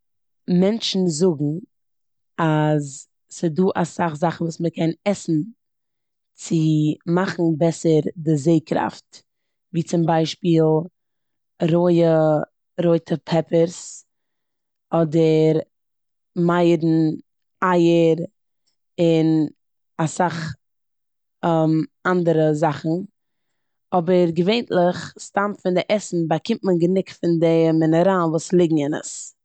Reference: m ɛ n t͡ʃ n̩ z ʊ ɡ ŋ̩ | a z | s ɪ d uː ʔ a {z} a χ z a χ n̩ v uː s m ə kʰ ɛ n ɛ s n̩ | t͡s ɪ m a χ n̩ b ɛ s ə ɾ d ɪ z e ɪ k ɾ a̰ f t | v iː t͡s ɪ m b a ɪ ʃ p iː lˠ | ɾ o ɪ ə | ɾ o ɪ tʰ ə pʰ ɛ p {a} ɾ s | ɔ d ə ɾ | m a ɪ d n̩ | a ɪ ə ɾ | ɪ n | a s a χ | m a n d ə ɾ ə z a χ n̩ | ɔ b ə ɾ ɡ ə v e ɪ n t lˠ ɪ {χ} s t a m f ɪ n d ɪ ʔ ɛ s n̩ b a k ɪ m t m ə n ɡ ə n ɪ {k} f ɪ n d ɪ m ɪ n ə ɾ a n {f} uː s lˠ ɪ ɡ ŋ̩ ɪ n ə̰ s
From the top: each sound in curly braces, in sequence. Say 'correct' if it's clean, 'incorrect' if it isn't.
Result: incorrect: s, incorrect: ə, correct, correct, incorrect: v

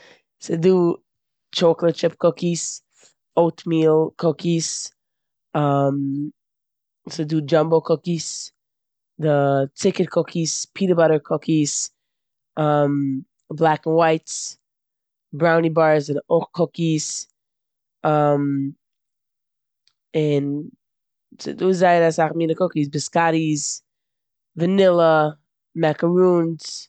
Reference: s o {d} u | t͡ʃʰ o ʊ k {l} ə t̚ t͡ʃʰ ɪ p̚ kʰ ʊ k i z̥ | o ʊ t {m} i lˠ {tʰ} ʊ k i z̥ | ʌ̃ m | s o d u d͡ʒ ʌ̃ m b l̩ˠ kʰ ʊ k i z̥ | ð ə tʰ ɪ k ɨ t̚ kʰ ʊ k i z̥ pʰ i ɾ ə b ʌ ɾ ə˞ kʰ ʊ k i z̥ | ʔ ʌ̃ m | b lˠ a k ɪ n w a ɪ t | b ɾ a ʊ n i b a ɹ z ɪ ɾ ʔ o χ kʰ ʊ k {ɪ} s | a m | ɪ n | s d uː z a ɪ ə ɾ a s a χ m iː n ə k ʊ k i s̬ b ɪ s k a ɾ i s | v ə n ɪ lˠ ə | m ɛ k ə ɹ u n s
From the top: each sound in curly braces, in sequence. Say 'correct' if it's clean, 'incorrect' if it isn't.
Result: correct, correct, correct, incorrect: kʰ, incorrect: i

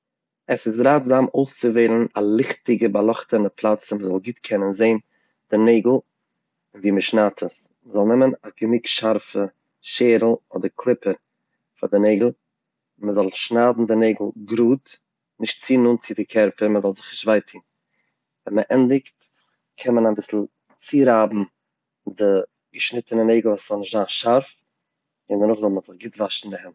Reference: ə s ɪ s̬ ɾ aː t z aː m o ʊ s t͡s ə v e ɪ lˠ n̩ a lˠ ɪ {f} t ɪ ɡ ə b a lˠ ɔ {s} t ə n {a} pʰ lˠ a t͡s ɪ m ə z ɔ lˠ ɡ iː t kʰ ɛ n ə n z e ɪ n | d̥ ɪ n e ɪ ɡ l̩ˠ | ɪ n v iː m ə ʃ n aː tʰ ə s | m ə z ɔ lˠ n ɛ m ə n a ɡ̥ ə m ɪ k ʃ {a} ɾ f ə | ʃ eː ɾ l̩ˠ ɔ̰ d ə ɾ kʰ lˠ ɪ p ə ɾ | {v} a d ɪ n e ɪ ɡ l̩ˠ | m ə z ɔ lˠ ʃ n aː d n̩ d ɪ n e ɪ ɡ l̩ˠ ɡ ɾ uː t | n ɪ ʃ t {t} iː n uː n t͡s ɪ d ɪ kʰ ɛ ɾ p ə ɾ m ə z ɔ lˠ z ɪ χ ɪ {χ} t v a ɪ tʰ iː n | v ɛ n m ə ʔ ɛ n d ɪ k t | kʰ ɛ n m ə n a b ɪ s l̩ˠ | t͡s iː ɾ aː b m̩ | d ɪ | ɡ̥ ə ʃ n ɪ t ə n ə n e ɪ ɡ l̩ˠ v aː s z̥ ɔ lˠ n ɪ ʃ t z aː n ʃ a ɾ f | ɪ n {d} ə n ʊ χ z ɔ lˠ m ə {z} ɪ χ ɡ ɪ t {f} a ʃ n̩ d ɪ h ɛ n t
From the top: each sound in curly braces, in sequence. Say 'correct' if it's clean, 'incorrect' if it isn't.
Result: incorrect: χ, incorrect: χ, incorrect: ə, correct, incorrect: f, incorrect: t͡s, incorrect: ʃ, correct, correct, incorrect: v

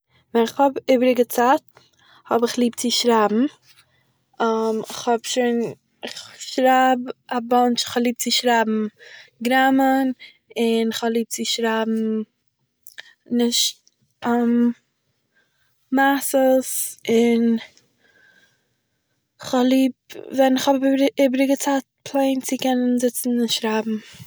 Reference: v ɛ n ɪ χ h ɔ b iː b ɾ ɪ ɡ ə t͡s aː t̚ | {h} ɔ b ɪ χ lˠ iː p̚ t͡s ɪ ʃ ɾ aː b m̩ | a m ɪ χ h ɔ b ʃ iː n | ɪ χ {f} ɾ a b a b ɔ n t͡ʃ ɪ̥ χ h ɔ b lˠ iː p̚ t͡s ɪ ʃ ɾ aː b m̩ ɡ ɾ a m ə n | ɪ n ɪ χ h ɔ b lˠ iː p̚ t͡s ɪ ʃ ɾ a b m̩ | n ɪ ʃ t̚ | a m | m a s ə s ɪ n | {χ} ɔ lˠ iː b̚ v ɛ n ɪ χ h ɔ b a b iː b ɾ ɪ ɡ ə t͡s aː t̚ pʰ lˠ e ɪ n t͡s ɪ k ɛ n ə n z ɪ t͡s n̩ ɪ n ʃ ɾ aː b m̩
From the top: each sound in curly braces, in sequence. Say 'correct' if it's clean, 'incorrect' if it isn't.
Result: correct, incorrect: ʃ, correct

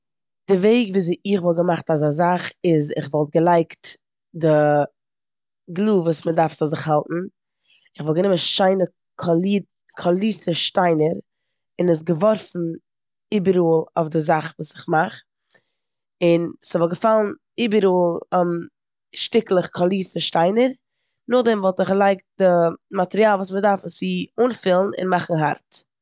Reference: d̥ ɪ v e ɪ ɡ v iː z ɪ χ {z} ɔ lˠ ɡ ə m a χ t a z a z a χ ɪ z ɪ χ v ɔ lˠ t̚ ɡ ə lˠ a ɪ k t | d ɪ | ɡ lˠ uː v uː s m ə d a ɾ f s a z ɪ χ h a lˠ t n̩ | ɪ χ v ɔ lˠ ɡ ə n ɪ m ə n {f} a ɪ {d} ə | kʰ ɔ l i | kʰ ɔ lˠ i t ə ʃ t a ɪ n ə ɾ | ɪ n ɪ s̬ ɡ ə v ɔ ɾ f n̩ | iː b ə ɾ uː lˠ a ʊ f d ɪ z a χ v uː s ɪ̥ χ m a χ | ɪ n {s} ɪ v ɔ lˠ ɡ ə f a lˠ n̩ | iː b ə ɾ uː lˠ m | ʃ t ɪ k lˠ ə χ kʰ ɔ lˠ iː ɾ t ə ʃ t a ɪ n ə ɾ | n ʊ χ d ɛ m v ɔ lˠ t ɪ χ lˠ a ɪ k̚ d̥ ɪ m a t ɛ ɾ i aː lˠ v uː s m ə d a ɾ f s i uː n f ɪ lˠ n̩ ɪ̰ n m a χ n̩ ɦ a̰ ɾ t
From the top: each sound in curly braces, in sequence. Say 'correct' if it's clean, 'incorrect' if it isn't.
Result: incorrect: v, incorrect: ʃ, incorrect: n, correct

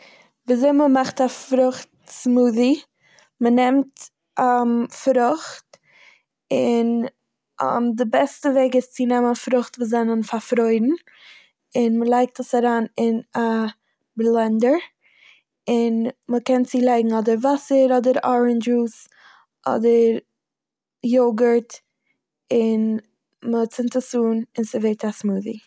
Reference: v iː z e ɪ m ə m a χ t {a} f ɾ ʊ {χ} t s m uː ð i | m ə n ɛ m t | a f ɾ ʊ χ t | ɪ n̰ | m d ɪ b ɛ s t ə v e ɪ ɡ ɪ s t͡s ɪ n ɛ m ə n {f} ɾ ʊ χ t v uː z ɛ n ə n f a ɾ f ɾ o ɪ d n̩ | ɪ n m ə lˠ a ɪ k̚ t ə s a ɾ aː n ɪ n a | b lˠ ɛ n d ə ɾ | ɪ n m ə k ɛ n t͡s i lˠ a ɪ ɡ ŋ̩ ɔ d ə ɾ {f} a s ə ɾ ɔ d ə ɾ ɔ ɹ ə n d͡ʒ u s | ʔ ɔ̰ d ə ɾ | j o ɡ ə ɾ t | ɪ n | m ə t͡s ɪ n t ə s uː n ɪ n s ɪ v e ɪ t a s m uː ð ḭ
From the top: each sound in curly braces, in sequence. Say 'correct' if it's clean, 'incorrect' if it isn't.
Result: correct, correct, correct, incorrect: v

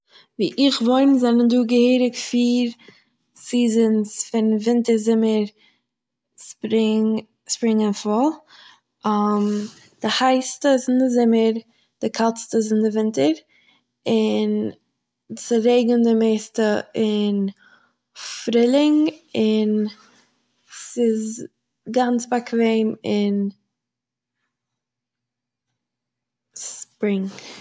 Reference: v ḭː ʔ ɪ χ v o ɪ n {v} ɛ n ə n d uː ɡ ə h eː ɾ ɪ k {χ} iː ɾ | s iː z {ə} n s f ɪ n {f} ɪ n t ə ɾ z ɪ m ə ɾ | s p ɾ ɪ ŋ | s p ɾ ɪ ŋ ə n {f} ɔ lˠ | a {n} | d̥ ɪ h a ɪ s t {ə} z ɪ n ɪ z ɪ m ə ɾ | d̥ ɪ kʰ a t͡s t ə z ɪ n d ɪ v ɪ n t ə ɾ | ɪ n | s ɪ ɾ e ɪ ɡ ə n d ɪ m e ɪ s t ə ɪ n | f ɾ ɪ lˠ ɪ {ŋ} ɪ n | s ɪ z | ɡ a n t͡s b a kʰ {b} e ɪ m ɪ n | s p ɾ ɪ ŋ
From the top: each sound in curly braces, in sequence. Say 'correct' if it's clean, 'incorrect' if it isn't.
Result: incorrect: z, incorrect: f, correct, incorrect: v, correct, incorrect: m, correct, correct, incorrect: v

